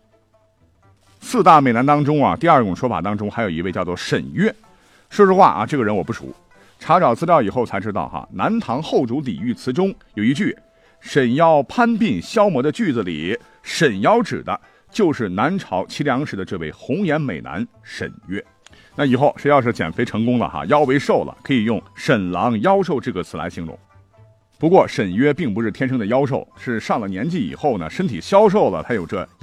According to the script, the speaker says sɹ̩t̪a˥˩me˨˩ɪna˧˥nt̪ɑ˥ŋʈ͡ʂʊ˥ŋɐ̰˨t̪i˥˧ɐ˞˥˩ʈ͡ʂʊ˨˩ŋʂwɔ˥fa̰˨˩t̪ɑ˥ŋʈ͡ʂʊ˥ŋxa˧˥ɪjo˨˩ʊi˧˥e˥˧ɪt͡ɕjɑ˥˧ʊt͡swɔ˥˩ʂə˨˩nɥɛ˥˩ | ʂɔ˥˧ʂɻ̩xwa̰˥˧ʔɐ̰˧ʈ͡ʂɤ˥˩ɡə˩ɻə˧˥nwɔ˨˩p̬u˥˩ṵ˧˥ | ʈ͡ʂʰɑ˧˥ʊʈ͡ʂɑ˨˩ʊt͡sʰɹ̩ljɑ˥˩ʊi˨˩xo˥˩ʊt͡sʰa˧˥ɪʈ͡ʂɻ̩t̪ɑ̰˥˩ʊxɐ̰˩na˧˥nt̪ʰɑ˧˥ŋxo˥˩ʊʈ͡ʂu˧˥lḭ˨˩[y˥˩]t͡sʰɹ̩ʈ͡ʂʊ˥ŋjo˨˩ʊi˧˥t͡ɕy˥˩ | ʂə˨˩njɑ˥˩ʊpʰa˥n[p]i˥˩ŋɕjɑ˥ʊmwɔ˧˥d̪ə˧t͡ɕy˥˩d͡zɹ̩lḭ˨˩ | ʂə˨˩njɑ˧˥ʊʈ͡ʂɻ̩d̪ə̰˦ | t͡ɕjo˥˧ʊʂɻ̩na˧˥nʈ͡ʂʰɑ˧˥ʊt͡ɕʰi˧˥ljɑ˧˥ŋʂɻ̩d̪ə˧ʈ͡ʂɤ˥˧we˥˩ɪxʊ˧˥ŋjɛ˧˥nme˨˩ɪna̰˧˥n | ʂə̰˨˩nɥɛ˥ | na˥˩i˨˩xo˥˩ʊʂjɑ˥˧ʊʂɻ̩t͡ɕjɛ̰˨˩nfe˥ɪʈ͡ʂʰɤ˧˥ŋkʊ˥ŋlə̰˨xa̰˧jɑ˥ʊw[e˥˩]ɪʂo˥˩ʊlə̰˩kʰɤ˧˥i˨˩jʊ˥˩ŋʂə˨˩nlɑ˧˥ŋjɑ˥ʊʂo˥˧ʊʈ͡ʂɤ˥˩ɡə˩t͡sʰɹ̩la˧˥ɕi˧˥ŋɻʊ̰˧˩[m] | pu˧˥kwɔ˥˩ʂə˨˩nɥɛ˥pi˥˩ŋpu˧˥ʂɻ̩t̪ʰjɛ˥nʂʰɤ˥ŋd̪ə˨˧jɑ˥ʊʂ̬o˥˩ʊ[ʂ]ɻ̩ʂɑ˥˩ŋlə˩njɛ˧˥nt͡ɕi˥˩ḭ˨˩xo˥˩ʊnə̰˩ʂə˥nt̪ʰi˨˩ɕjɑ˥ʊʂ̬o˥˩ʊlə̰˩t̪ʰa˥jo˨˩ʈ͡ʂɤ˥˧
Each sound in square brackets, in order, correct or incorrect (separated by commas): correct, correct, incorrect, incorrect, correct